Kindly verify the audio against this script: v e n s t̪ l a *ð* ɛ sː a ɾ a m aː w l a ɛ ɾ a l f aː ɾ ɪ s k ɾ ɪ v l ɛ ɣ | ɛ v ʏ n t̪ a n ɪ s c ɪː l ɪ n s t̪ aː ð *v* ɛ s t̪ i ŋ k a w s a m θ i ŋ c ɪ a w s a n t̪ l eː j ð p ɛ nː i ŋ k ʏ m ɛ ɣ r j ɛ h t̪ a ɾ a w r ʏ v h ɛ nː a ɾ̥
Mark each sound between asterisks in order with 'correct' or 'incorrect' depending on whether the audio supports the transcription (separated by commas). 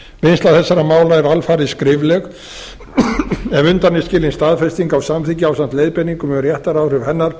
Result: incorrect, incorrect